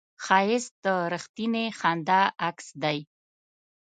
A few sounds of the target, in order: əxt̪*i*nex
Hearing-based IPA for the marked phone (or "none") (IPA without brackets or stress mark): i